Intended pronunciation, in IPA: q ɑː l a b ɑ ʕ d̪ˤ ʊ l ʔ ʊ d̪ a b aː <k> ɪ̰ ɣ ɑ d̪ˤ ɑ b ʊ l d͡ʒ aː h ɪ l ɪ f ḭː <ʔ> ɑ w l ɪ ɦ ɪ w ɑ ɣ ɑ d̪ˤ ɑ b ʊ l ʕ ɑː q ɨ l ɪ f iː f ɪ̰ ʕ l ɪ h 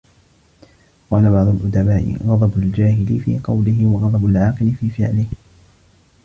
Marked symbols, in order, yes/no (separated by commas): no, no